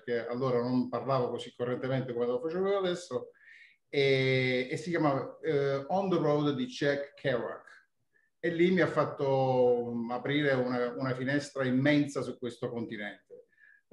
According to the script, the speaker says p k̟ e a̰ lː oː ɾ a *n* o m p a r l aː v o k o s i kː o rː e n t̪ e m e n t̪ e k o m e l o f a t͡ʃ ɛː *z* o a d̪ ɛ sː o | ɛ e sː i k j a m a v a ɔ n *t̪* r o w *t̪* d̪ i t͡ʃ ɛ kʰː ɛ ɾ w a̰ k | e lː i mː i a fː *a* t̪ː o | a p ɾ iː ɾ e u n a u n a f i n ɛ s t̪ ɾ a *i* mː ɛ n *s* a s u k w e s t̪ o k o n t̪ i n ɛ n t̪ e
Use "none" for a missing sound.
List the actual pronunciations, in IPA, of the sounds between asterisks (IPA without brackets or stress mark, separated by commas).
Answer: n, v, d̪, d̪, a, i, s